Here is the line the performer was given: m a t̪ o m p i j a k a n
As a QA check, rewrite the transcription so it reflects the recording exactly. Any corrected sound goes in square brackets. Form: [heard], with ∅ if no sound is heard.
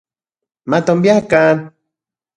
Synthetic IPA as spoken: m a t̪ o m [b] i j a k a n